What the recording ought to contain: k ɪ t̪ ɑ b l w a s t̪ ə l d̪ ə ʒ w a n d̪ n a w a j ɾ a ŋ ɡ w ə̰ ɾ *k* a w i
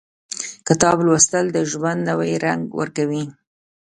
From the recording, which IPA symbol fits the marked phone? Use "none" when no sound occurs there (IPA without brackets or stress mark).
k